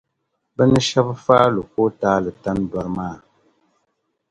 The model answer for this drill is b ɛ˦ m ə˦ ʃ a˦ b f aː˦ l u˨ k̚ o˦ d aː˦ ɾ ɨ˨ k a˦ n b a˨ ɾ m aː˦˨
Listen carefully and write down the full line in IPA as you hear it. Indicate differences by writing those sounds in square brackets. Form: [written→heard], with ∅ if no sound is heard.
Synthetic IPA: b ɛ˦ [m→n] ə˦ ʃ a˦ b f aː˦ l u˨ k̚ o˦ [d→t] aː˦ [ɾ→l] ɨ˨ [k→t] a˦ n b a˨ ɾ m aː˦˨

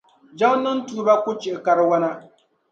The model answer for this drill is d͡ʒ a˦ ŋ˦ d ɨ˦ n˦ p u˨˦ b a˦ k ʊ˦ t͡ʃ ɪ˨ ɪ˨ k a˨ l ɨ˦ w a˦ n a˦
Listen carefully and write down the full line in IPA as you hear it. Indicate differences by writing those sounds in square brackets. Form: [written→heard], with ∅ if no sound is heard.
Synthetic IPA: d͡ʒ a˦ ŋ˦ [d→n] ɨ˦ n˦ [p→t] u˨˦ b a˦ k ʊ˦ t͡ʃ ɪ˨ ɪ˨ k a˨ [l→ɾ] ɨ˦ w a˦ n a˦

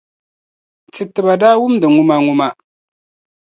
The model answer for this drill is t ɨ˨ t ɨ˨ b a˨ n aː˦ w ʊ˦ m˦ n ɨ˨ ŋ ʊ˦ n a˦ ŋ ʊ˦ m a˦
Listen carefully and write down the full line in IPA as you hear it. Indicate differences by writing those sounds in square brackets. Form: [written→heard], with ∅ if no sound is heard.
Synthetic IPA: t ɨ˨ t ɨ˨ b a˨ [n→d] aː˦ w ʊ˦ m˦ [n→d] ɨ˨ ŋ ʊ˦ [n→m] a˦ ŋ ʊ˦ m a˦

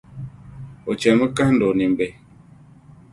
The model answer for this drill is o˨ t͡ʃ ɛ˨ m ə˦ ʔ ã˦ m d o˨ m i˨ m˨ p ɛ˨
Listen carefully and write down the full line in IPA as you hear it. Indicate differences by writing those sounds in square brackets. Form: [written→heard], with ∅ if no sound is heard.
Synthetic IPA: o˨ t͡ʃ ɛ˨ m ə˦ [ʔ→k] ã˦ [m→n] d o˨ [m→n] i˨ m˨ [p→b] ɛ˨

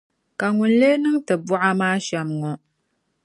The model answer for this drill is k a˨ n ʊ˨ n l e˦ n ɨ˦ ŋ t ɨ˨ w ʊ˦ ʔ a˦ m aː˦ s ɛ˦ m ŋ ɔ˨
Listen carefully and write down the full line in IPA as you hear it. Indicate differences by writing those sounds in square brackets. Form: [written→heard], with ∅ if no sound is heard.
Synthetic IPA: k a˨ [n→ŋ] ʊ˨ n l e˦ n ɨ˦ ŋ t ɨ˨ [w→b] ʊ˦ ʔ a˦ m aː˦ [s→ʃ] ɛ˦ m ŋ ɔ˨

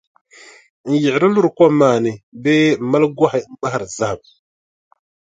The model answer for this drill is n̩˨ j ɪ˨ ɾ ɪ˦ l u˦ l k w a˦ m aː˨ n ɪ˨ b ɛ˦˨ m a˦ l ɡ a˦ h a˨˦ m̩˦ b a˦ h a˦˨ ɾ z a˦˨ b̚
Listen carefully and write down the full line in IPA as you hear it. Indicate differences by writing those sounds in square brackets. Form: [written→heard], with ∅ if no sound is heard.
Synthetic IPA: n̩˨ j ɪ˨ ɾ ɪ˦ l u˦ [l→ɾ] k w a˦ m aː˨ n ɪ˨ b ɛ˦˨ m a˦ l ɡ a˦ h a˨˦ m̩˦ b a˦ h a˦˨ ɾ z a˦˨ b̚

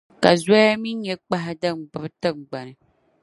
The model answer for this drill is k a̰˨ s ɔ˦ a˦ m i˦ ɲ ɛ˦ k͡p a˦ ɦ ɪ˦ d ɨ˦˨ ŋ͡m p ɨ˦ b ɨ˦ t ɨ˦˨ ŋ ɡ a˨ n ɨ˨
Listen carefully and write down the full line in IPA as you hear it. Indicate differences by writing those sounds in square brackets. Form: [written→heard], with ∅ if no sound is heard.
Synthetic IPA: k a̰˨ [s→z] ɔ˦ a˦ m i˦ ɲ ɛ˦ k͡p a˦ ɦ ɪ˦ d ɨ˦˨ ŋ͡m [p→b] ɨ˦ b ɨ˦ t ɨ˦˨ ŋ [ɡ→ɡ͡b] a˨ n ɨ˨

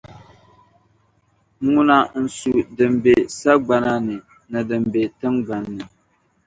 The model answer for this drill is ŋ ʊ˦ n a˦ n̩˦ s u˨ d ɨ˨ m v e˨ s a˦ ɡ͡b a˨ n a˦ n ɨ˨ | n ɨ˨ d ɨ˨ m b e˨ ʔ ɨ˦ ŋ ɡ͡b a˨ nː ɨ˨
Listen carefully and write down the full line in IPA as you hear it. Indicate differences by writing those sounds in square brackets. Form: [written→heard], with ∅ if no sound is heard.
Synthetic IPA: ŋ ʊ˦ n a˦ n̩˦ s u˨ d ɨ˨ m [v→b] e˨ s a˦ ɡ͡b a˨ n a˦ n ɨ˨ | n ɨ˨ d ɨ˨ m b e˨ [ʔ→t] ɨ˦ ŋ ɡ͡b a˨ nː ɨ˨

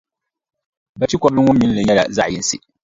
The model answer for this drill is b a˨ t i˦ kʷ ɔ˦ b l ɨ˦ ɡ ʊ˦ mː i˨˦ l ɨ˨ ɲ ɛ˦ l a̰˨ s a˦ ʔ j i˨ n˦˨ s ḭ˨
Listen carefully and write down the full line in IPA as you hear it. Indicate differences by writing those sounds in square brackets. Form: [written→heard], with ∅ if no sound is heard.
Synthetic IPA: b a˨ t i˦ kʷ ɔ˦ b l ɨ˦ [ɡ→ŋ] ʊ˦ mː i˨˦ l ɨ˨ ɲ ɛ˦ l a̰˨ [s→z] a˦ ʔ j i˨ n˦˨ s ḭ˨

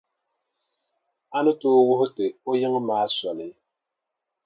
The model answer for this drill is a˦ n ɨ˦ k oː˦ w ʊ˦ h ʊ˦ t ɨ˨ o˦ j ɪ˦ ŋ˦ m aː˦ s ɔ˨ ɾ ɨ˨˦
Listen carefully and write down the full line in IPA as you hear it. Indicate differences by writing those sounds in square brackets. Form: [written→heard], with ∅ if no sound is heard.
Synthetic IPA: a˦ n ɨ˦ [k→t] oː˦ w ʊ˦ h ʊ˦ t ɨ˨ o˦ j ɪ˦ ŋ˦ m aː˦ s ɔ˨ [ɾ→l] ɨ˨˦

